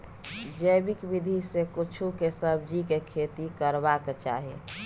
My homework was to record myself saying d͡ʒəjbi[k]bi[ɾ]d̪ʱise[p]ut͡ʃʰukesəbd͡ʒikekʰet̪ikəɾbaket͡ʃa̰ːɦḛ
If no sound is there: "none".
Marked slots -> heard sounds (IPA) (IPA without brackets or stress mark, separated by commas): k, none, k